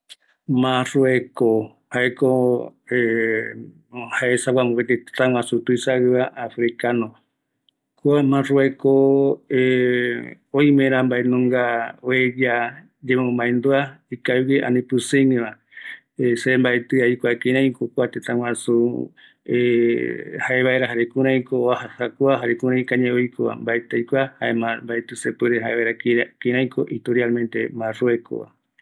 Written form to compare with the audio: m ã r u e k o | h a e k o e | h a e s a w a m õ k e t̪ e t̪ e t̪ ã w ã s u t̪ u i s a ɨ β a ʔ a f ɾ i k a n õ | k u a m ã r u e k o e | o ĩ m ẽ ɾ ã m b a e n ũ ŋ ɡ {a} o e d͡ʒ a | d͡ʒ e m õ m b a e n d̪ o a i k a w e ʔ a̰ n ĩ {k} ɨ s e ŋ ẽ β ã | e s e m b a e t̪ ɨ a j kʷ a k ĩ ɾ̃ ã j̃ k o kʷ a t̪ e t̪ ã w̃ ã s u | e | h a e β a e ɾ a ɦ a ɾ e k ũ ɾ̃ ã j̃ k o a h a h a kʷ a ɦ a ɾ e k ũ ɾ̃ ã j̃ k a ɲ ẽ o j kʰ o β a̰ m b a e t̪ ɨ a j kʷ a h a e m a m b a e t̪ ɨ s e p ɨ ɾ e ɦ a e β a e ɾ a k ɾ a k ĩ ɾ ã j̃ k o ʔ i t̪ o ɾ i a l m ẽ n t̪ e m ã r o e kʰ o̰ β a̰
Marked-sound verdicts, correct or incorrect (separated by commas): correct, incorrect